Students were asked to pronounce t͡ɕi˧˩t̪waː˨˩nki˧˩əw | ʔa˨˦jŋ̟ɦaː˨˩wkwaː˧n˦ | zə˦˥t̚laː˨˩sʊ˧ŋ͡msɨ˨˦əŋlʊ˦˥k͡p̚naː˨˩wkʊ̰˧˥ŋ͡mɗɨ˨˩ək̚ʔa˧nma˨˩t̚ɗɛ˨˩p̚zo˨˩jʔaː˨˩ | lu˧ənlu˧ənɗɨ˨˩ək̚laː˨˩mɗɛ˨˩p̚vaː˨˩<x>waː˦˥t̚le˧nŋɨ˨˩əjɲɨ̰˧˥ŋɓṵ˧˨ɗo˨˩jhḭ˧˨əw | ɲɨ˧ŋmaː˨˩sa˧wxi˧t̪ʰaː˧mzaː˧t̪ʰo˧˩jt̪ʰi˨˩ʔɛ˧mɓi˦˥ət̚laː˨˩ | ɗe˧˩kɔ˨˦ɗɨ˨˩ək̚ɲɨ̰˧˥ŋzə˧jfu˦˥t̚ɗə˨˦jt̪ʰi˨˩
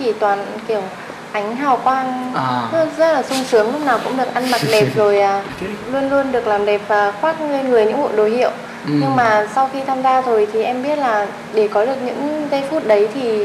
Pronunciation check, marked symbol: correct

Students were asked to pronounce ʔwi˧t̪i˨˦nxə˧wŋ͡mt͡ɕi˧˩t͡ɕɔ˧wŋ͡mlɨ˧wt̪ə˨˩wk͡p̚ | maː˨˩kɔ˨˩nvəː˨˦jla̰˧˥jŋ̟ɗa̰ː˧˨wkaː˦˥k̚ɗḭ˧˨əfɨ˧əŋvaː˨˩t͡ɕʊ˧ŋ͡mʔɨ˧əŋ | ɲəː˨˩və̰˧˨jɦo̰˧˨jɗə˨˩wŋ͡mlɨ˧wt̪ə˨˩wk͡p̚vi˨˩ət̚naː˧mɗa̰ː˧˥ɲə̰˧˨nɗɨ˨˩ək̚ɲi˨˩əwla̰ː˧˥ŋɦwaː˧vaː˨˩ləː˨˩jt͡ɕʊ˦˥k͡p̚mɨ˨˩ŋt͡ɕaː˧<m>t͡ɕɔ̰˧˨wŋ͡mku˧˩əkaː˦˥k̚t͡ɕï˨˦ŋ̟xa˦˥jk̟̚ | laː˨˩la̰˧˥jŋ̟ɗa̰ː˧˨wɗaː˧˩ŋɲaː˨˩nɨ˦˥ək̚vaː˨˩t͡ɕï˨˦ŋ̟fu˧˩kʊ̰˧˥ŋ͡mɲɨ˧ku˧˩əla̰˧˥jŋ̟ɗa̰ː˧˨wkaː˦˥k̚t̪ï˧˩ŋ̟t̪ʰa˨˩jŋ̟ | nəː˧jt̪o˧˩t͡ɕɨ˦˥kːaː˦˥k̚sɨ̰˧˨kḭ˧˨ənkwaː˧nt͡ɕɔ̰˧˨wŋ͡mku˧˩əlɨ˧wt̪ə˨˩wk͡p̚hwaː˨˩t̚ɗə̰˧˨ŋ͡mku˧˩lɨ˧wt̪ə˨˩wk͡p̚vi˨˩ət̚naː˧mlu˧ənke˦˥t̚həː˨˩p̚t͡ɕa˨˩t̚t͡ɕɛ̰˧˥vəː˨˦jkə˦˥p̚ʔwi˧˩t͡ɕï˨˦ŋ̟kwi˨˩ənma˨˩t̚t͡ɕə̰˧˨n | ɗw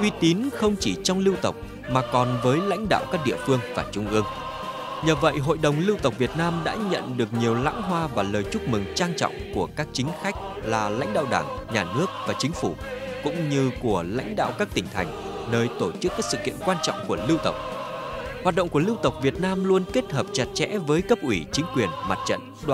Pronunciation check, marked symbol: incorrect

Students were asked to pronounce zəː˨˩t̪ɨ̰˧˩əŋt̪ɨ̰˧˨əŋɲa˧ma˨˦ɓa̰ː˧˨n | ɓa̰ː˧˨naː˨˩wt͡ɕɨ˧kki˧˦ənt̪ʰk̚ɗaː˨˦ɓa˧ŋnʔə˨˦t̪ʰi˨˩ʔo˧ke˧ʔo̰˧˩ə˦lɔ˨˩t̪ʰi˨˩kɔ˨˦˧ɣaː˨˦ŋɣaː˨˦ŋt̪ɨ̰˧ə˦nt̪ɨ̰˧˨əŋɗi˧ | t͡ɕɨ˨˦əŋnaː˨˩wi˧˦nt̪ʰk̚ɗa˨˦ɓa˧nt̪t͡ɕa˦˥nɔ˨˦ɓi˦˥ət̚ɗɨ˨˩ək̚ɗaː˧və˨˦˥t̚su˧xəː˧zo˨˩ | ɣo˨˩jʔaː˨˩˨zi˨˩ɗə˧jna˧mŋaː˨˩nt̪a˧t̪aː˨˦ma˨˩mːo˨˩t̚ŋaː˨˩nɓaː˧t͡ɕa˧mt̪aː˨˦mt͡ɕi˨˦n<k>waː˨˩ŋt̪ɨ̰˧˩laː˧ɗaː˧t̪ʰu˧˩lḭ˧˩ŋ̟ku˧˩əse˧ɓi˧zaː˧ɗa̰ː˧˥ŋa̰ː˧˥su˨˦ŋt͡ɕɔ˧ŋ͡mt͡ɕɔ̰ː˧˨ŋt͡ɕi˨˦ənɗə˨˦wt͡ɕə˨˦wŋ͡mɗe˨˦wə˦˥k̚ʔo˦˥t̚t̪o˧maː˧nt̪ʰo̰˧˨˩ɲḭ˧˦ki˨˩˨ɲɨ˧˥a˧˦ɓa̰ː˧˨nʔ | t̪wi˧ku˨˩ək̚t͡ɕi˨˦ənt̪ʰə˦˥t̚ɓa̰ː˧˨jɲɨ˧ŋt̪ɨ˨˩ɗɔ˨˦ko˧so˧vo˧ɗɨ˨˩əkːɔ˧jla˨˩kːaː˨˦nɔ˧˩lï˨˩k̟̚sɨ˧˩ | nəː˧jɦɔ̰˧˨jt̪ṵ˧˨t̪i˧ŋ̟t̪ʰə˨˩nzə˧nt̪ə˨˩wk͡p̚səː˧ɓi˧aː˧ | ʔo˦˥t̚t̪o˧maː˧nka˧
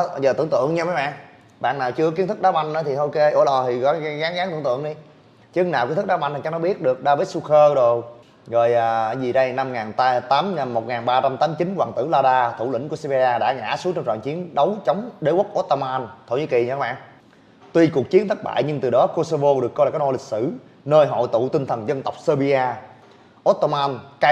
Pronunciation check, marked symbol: correct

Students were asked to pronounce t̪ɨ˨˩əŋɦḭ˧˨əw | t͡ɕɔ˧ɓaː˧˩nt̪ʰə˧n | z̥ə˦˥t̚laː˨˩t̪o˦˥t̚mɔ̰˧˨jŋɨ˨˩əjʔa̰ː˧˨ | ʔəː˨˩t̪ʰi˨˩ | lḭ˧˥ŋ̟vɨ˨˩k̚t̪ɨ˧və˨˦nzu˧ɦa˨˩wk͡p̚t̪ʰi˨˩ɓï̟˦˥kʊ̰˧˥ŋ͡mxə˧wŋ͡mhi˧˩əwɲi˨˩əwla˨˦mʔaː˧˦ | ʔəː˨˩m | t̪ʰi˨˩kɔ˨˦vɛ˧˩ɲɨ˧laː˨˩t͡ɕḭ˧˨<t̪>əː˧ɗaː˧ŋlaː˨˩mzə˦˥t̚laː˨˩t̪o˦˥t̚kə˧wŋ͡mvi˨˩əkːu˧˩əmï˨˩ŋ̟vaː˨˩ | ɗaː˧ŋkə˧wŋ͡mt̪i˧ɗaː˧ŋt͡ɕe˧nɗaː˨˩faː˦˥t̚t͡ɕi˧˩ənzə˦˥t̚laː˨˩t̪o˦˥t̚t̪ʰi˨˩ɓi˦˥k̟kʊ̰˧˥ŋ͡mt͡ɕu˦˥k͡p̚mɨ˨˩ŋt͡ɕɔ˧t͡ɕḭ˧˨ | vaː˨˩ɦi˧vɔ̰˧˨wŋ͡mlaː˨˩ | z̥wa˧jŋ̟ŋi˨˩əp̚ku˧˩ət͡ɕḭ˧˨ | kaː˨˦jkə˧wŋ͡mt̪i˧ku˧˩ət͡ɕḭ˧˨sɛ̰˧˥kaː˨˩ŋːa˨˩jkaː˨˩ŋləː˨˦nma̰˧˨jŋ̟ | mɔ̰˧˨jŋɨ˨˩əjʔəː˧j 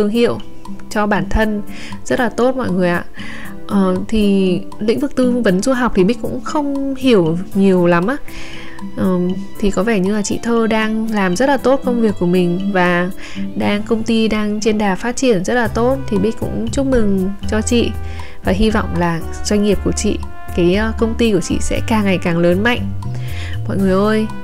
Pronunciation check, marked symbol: incorrect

